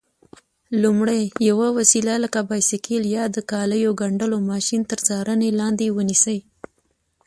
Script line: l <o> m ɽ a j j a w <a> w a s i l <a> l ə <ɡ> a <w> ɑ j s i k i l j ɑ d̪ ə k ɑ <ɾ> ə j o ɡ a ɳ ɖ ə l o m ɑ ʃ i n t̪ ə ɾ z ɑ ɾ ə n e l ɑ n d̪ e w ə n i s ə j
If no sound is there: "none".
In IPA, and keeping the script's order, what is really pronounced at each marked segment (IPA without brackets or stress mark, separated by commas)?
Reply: u, a, a, k, b, l